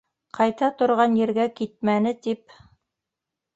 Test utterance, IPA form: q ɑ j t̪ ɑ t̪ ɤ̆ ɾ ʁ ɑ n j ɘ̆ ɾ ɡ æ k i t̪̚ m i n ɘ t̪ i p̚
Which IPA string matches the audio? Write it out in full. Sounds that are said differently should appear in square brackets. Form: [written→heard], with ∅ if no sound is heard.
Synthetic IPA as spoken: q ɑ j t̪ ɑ t̪ [ɤ̆→ŏ] ɾ ʁ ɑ n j ɘ̆ ɾ ɡ æ k i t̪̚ m [i→æ] n ɘ t̪ i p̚